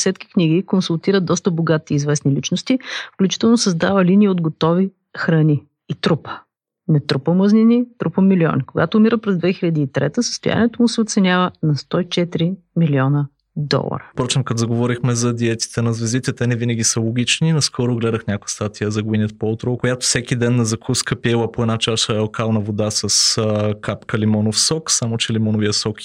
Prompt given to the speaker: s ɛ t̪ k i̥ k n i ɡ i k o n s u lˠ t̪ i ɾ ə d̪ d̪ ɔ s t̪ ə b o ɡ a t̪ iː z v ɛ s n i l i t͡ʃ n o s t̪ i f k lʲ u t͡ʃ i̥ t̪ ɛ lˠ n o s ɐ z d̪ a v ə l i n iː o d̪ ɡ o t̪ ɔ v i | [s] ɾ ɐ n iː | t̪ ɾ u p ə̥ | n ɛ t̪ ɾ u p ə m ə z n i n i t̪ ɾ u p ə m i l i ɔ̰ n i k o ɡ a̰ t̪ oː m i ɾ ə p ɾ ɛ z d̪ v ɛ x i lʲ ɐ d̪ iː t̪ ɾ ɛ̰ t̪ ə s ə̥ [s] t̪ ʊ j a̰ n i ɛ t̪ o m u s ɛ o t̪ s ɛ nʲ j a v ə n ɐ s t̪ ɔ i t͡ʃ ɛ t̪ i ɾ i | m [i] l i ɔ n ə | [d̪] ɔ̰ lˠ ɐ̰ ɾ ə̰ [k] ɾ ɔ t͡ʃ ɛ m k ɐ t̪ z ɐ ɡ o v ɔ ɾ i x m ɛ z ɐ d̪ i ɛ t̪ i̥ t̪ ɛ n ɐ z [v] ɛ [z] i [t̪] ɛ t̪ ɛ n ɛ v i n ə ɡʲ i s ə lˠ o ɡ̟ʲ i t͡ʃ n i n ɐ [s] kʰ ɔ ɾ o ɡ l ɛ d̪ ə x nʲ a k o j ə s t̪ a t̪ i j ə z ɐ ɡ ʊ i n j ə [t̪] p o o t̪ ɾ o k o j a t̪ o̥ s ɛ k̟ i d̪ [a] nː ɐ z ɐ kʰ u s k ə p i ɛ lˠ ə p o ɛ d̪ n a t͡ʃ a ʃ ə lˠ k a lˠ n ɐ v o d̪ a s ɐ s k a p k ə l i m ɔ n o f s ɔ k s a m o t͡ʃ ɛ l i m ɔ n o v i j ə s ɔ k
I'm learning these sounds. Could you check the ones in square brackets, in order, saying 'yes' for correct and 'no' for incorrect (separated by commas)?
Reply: no, yes, yes, yes, no, yes, yes, yes, yes, yes, no